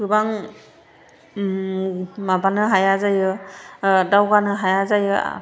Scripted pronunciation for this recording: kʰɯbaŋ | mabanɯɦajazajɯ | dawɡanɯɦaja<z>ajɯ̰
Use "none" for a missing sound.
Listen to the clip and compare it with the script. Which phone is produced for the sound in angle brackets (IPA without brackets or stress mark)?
z